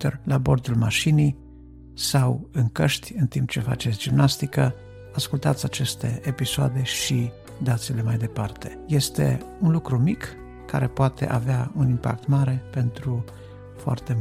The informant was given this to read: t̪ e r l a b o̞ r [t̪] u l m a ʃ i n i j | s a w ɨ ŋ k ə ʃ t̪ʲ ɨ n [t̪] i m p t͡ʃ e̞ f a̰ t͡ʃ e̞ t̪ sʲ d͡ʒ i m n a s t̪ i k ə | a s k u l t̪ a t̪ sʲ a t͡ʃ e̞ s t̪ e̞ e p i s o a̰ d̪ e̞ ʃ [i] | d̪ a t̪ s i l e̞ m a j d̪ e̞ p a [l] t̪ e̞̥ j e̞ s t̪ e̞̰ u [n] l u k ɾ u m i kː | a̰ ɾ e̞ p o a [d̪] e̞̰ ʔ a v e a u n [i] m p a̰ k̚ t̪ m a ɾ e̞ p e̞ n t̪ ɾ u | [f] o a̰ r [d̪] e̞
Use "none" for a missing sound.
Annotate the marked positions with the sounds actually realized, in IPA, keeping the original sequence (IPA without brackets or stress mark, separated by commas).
d̪, t̪, i, r, n, t̪, i, f, t̪